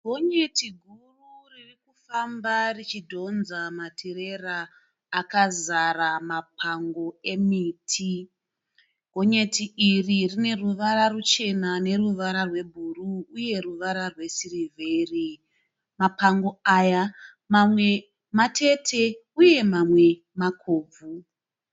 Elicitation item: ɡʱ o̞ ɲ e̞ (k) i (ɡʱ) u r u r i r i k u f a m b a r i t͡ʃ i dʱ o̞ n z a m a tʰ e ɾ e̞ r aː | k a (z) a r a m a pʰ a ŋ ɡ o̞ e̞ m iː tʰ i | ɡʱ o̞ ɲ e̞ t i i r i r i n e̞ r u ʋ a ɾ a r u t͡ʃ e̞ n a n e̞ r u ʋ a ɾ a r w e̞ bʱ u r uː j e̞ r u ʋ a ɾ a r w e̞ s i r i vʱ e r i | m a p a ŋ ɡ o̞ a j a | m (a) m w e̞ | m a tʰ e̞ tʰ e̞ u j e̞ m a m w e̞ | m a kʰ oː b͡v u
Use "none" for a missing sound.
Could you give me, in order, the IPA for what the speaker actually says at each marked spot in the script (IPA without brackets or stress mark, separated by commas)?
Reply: t, ɡʱ, z, a